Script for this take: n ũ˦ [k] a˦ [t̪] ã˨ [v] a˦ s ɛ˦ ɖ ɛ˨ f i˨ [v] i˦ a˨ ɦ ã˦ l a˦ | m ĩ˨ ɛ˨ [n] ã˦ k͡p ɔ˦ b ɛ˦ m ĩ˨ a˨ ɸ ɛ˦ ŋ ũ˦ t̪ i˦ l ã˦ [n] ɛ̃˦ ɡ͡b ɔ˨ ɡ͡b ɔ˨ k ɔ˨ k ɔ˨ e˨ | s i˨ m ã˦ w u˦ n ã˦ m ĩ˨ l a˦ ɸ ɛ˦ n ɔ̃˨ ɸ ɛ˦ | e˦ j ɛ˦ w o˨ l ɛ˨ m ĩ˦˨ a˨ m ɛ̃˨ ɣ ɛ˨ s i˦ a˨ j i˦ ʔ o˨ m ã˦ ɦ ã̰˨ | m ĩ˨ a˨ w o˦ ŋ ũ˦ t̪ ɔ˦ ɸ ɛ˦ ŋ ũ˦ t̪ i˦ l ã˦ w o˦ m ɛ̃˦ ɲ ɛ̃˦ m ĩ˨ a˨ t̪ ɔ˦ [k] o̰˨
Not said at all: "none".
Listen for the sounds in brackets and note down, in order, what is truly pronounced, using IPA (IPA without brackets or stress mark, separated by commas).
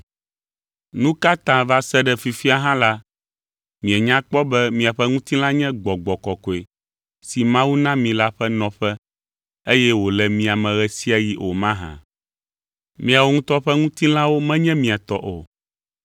k, t̪, v, f, ɲ, ɲ, ʔ